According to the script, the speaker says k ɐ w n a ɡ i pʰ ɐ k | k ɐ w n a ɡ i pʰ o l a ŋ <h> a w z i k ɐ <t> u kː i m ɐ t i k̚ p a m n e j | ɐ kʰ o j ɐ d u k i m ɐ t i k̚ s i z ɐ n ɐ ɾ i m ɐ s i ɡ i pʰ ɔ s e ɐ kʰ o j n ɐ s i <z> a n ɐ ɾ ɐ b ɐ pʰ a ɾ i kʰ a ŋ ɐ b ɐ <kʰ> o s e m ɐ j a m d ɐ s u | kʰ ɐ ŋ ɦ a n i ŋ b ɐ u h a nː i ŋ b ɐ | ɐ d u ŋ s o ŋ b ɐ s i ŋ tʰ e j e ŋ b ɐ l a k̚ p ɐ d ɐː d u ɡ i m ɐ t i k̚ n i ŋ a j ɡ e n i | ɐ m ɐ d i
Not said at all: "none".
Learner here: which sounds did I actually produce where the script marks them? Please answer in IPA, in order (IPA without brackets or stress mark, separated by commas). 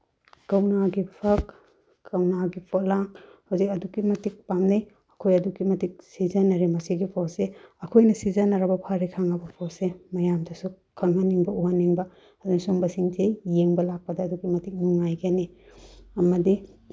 h, d, z, pʰ